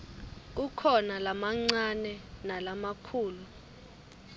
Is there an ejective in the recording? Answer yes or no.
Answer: no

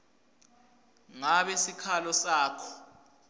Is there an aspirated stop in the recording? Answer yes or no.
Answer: yes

